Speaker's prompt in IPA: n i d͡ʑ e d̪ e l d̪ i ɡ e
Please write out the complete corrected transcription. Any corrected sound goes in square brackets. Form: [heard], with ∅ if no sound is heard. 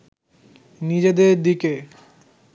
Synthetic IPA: n i d͡ʑ e d̪ e [ɾ] d̪ i [k] e

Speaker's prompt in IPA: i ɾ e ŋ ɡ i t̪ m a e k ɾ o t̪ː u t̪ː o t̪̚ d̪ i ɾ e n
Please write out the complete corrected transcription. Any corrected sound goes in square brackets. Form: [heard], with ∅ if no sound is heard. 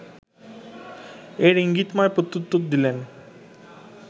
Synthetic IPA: [e] ɾ [i] ŋ ɡ i t̪ m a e [p] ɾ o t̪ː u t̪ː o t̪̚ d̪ i [l] e n

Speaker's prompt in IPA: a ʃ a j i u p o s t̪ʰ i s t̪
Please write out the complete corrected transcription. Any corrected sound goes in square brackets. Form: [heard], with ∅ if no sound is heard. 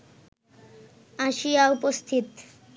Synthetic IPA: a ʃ [i] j [a] u p o s t̪ʰ i [∅] t̪

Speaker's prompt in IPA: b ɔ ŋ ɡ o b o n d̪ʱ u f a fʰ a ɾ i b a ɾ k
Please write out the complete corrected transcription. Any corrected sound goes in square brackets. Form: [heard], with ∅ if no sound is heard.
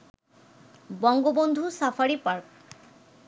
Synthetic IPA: b ɔ ŋ ɡ o b o n d̪ʱ u [s] a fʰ a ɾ i [p] a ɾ k

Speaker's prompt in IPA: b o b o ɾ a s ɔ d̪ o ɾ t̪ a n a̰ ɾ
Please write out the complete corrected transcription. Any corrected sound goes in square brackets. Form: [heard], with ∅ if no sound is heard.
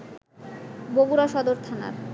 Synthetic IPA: b o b [u] ɾ a [ʃ] ɔ d̪ o ɾ [t̪ʰ] a n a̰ ɾ

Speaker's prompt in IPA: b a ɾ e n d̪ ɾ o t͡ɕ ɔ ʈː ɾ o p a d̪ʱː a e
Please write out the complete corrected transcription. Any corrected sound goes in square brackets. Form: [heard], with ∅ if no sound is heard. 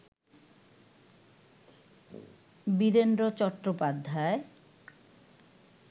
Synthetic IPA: b [i] ɾ e n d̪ ɾ o t͡ɕ ɔ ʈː ɾ o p a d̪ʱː a e

